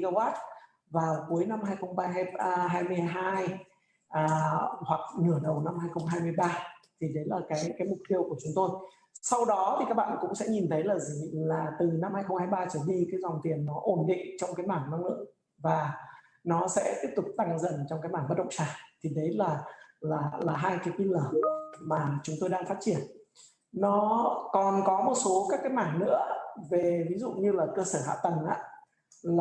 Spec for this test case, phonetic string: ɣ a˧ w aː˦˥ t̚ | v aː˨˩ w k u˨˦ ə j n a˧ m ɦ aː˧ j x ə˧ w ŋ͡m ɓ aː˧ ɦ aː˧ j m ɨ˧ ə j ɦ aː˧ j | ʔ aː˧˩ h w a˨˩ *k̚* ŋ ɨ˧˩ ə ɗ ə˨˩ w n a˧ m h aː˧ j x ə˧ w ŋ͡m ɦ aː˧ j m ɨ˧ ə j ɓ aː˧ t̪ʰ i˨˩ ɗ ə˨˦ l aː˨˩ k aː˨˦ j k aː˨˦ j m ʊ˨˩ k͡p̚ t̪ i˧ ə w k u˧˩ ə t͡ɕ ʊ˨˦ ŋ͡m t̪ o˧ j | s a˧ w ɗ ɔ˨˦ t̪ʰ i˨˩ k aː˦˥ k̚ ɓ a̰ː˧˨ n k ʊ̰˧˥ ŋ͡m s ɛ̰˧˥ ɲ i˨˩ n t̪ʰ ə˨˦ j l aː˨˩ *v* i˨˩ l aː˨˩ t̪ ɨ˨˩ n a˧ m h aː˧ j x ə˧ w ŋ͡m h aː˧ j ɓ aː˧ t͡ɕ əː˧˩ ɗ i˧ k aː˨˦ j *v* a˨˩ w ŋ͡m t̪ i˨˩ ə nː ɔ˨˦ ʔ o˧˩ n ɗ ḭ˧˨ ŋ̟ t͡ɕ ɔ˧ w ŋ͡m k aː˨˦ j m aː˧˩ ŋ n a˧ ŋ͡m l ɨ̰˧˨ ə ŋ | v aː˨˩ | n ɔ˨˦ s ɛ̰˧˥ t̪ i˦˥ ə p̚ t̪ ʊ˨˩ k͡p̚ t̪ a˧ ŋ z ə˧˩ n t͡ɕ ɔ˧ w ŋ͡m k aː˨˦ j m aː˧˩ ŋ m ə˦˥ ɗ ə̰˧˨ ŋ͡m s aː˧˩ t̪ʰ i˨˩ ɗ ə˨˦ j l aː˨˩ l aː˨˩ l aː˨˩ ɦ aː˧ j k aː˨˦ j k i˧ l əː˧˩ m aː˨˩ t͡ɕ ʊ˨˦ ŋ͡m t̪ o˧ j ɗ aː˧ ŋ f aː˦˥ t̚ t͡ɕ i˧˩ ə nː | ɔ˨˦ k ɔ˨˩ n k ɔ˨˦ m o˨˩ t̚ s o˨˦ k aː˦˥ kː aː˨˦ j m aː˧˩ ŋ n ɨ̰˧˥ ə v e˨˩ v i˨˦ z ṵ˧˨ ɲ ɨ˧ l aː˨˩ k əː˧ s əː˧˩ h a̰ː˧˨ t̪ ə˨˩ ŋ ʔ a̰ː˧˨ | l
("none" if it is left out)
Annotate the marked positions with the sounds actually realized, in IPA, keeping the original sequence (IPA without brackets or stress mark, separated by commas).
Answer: k̚, z, z